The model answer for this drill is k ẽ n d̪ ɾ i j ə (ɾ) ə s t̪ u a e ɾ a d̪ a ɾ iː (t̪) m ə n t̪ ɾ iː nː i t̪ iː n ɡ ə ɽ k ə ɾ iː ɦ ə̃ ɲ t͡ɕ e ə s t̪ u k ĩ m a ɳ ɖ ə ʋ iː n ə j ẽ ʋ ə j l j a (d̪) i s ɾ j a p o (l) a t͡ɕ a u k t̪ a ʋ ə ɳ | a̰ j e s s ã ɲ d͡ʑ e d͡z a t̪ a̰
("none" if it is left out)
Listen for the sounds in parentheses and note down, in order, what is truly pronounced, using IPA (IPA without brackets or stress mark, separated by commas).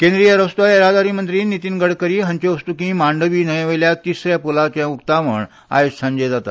ɾ, none, t̪, l